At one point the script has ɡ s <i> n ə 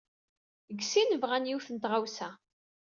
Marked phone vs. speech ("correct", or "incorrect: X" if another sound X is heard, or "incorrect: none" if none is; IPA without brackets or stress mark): correct